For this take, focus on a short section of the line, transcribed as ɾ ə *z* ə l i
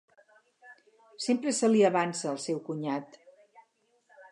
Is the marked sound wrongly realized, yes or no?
yes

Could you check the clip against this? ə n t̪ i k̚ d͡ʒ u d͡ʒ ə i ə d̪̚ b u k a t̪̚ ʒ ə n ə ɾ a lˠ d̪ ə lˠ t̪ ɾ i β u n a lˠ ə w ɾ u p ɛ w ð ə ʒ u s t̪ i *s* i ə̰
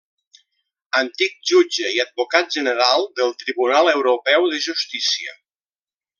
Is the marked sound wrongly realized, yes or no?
no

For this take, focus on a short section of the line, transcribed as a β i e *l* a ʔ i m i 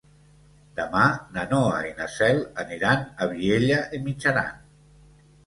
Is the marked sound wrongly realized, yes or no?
yes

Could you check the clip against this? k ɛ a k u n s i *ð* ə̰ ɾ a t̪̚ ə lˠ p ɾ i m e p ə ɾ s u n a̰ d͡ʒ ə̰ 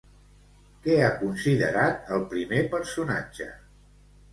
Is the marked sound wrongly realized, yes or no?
no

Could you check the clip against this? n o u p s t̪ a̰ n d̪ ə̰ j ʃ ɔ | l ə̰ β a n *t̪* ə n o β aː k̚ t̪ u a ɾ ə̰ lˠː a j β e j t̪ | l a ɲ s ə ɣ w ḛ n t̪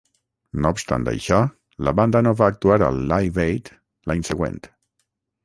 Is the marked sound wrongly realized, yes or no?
yes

